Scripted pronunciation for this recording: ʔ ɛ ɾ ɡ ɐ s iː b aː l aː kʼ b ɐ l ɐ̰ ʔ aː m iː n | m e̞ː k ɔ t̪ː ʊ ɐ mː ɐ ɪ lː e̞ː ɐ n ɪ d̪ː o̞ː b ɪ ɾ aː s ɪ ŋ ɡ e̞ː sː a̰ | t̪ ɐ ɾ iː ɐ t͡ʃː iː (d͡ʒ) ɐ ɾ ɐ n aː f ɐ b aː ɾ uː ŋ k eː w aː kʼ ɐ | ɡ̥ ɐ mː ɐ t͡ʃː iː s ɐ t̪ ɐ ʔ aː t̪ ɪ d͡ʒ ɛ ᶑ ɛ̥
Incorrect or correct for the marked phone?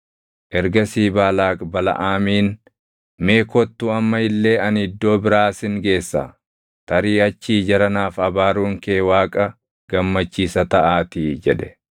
correct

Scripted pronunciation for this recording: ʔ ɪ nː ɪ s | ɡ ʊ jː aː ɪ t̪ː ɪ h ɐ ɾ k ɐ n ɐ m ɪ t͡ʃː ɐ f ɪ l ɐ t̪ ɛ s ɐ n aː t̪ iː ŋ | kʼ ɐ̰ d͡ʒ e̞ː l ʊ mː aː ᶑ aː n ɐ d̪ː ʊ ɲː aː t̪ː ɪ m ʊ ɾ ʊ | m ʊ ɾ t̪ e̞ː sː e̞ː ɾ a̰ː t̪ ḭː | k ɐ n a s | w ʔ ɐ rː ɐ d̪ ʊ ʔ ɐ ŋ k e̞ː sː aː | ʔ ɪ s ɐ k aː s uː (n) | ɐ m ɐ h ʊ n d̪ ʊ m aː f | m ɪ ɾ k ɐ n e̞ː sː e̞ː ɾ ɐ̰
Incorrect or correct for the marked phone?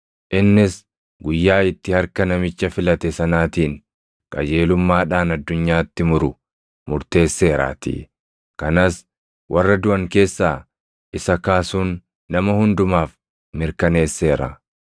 incorrect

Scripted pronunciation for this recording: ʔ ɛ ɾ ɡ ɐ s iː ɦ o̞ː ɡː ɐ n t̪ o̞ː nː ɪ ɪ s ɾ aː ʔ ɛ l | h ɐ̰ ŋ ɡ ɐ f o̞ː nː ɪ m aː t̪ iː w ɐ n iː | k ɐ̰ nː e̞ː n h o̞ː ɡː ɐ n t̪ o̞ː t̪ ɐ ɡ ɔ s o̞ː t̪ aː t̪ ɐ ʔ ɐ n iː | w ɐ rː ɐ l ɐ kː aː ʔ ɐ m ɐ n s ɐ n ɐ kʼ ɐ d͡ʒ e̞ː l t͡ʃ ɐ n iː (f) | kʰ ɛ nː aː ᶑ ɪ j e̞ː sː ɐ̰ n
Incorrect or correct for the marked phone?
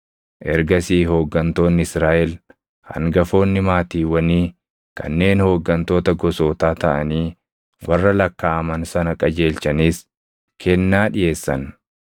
incorrect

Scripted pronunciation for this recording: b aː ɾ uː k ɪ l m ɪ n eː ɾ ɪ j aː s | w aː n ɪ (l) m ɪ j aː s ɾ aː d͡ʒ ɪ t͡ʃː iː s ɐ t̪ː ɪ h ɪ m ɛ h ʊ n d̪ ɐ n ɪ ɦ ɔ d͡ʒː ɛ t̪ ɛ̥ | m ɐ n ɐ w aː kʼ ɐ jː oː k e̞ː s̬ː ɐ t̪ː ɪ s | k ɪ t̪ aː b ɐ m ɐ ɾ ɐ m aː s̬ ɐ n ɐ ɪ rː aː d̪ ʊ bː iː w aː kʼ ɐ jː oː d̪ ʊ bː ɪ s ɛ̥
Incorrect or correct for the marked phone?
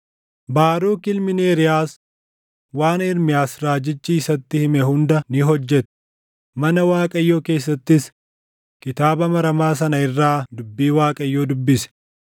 incorrect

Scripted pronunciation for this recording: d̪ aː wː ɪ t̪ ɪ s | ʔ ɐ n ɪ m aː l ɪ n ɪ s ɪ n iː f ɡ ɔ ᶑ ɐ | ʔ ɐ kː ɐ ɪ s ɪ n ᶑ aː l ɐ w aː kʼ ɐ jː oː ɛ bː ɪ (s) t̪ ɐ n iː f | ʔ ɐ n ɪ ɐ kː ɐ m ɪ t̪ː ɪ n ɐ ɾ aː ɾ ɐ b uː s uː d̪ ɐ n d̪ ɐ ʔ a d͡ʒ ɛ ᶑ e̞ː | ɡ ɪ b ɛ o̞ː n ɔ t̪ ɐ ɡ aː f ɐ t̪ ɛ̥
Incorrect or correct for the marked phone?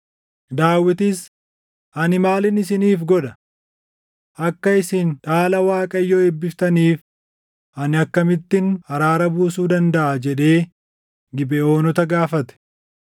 incorrect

